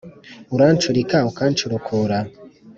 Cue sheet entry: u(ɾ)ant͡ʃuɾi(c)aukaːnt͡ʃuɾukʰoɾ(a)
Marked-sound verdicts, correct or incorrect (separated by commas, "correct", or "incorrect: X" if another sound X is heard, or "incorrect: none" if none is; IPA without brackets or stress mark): correct, incorrect: k, correct